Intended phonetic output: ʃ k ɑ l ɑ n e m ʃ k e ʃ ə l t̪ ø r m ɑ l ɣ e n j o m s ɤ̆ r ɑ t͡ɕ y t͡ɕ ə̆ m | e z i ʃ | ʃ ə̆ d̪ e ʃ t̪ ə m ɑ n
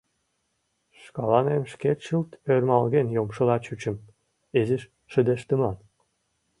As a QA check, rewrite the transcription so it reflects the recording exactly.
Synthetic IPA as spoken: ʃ k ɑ l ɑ n e m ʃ k e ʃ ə l t̪ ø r m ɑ l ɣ e n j o m ʃ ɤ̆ l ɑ t͡ɕ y t͡ɕ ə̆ m | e z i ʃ | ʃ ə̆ d̪ e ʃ t̪ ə m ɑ n